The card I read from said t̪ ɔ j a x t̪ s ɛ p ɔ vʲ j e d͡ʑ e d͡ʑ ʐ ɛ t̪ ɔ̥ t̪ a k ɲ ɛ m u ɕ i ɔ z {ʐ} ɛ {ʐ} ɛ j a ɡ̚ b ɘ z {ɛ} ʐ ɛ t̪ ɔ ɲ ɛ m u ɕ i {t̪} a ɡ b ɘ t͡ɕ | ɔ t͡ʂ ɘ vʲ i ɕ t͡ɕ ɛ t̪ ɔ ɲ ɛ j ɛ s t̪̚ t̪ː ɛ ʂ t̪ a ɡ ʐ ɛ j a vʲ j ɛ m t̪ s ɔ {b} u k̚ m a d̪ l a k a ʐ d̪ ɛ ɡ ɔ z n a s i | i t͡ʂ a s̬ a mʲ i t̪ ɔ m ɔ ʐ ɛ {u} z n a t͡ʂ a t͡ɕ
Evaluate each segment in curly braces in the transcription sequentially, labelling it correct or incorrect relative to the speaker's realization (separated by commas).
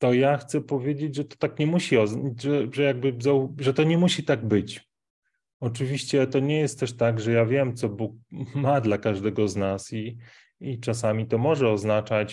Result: correct, correct, incorrect, correct, correct, incorrect